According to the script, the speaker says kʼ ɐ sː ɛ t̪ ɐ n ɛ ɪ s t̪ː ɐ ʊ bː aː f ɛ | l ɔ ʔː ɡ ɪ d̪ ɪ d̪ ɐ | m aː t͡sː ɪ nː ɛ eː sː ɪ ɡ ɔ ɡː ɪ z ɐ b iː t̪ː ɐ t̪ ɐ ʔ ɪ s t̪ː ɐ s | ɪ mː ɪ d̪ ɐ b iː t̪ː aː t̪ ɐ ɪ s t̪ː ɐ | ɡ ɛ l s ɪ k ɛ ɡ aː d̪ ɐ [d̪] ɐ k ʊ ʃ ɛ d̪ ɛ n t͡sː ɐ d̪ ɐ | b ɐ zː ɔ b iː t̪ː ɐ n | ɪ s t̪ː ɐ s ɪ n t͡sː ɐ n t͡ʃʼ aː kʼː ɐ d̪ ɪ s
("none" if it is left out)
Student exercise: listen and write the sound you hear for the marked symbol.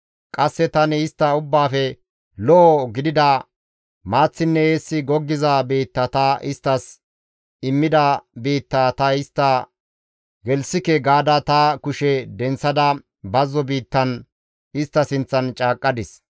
t̪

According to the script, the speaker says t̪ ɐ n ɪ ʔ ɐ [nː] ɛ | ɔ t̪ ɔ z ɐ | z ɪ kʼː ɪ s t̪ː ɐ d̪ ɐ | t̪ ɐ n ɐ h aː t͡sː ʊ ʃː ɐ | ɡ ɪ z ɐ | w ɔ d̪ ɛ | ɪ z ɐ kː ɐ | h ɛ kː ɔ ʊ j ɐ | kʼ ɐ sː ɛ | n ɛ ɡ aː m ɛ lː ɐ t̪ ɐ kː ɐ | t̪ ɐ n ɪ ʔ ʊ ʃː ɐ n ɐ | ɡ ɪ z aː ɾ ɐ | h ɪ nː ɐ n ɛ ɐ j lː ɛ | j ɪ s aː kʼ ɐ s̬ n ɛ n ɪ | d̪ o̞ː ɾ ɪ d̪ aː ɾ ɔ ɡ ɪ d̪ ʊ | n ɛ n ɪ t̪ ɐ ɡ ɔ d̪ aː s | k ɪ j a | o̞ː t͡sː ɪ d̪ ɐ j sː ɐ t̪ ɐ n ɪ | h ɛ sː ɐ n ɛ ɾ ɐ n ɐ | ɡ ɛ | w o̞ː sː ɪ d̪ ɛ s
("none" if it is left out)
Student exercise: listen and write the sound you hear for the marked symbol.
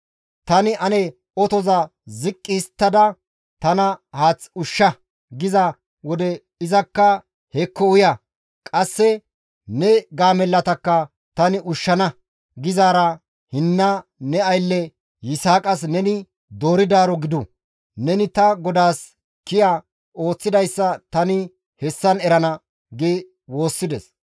n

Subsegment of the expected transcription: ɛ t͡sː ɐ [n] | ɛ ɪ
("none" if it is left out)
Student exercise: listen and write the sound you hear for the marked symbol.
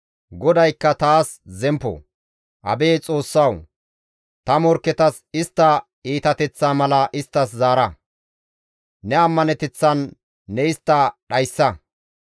nː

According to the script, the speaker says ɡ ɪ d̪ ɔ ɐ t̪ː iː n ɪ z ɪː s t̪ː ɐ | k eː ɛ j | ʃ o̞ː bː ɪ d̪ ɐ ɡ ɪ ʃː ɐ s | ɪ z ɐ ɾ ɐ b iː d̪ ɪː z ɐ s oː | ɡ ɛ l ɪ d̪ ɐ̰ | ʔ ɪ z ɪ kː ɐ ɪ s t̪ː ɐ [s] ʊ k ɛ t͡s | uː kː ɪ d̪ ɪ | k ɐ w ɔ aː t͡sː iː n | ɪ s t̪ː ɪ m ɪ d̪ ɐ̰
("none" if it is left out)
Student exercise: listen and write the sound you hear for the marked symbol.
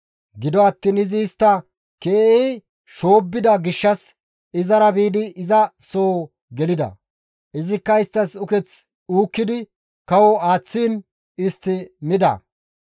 s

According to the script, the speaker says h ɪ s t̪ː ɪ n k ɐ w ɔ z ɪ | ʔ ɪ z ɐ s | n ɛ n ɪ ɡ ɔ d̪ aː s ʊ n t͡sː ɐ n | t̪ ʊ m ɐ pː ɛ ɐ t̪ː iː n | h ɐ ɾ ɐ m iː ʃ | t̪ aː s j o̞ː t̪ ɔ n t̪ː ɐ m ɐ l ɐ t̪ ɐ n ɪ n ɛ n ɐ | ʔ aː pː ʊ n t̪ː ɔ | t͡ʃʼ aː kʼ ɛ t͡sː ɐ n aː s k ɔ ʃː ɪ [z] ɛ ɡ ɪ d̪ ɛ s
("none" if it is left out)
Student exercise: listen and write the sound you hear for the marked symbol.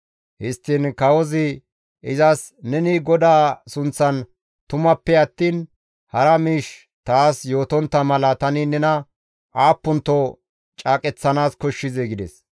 z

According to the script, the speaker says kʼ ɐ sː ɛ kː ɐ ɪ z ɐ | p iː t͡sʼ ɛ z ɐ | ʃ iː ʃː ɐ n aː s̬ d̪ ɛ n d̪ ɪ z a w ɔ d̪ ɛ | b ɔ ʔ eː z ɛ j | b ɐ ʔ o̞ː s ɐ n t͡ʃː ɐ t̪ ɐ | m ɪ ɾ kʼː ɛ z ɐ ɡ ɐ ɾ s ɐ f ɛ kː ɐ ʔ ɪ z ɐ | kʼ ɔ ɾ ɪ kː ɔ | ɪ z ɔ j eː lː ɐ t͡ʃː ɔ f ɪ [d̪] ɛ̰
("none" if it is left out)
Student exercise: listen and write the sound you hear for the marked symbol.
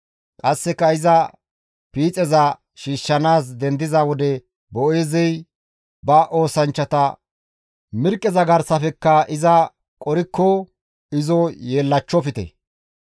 t̪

